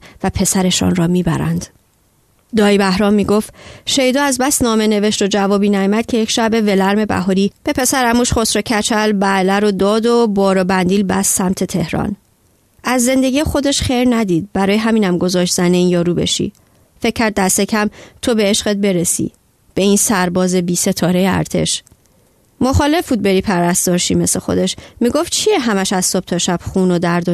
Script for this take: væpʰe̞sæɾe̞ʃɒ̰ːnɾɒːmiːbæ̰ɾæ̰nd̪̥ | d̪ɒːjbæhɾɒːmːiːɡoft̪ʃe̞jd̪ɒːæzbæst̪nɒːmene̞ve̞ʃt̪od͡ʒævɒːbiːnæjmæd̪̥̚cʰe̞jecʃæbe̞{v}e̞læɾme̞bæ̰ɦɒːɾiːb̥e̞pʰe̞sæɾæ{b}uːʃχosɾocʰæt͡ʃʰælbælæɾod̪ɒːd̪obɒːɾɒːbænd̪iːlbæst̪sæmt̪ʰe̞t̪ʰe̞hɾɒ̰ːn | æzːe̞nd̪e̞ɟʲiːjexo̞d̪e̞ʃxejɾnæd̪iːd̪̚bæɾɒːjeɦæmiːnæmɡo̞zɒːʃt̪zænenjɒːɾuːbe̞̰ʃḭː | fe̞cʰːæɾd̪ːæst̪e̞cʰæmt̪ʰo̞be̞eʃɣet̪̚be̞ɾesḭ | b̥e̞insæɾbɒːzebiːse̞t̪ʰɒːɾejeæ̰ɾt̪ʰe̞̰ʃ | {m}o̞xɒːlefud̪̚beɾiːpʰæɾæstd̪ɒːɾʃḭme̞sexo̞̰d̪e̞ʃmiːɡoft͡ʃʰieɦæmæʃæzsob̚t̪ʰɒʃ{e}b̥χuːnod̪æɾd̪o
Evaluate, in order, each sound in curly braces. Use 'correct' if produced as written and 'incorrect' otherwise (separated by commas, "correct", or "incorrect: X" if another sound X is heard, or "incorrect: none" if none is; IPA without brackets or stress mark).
correct, incorrect: m, correct, incorrect: æ